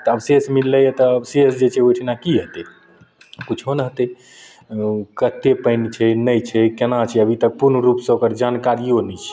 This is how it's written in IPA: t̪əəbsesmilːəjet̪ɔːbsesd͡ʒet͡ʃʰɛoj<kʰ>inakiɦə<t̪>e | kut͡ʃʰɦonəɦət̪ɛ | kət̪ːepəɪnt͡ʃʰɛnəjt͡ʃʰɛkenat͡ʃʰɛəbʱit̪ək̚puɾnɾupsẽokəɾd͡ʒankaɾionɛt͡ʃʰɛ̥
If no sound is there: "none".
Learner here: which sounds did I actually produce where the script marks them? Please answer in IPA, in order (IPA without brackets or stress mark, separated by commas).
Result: ʈʰ, t̪